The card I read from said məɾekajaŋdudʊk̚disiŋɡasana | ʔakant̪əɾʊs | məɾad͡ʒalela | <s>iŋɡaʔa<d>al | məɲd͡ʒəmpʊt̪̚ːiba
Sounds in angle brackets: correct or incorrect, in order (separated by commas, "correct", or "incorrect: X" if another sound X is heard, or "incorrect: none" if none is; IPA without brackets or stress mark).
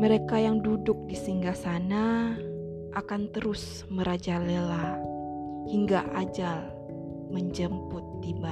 incorrect: h, incorrect: d͡ʒ